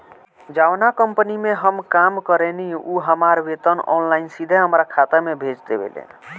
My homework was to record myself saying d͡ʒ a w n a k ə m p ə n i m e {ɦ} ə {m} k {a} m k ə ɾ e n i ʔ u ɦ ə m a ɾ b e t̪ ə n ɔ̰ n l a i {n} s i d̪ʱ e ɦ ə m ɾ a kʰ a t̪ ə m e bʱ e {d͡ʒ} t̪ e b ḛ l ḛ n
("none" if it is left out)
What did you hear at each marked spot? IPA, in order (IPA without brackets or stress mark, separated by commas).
ɦ, m, a, n, d͡ʒ